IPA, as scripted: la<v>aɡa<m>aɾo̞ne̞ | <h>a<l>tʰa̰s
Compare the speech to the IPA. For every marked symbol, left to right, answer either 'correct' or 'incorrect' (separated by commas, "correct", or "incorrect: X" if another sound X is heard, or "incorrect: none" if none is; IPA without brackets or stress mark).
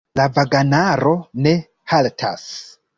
correct, incorrect: n, correct, correct